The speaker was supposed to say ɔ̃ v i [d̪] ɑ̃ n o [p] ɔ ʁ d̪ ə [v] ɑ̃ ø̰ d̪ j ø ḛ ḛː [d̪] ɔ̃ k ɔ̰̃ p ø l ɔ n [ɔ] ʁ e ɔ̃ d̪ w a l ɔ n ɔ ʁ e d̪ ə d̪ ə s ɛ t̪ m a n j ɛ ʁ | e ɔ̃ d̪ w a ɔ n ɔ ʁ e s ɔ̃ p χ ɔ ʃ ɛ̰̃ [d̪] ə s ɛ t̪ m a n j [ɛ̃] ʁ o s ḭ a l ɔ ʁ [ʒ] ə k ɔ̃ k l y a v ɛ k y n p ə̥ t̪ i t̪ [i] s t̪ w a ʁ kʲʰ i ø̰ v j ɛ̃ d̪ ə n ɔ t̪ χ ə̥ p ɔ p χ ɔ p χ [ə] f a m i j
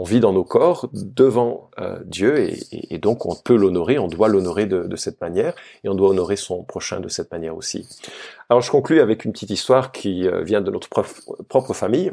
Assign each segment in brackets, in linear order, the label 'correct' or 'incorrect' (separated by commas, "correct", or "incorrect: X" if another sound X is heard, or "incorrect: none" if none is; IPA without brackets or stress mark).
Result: correct, incorrect: k, correct, correct, correct, correct, incorrect: ɛ, correct, correct, correct